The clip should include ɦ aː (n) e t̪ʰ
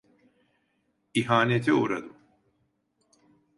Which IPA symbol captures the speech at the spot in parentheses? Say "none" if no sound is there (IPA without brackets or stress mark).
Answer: n